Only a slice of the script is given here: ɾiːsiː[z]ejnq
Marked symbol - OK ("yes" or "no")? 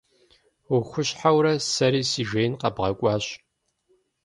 no